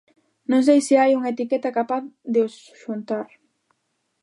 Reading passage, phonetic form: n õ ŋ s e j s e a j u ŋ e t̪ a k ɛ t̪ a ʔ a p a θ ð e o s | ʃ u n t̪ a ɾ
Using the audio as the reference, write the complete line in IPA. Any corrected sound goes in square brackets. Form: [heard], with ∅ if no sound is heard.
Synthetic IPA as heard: n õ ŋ s e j s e a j u ŋ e t̪ [i] k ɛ t̪ a [k] a p a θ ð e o s | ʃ u n t̪ a ɾ